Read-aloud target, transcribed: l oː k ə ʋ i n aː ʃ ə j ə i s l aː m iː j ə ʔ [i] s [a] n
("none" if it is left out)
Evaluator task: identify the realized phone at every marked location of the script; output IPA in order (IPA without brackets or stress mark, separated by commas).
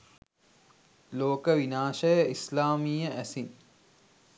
æ, i